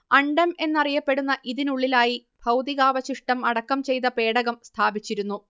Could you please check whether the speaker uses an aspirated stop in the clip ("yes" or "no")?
yes